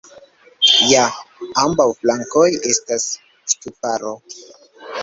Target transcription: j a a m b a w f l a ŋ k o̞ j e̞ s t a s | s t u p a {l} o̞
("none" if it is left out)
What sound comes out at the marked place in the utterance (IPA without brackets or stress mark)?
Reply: ɾ